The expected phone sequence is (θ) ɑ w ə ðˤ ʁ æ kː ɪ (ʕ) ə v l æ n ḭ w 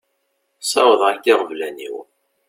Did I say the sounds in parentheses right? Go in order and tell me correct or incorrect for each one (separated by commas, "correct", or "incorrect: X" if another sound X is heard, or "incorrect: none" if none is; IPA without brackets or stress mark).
incorrect: s, incorrect: ʁ